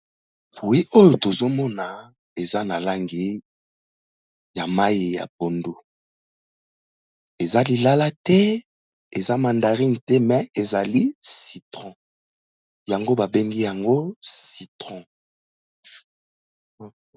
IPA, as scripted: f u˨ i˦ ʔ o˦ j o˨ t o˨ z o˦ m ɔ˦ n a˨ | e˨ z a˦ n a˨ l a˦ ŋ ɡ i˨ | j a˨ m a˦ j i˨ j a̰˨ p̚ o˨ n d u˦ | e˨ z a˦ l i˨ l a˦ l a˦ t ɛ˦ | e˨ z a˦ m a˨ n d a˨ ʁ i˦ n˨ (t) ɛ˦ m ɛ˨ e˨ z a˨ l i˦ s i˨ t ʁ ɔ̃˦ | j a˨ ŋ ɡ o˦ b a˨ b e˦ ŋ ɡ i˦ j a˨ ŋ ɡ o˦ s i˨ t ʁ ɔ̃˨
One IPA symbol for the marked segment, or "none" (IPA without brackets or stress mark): t